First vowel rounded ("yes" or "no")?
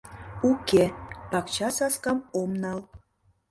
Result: yes